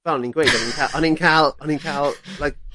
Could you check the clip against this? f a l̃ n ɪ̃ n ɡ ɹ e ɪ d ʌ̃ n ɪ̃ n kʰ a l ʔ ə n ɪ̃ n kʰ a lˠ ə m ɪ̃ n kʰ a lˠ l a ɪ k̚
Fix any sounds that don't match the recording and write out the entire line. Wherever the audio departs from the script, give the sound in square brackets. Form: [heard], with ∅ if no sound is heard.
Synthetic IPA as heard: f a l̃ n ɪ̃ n ɡ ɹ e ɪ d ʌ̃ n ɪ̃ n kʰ a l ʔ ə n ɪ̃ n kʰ a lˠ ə [n] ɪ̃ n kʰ a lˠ l a ɪ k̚